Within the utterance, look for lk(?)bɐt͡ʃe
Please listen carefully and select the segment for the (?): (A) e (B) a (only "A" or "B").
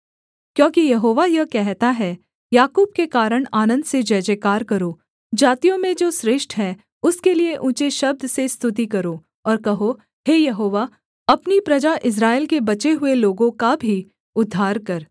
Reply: A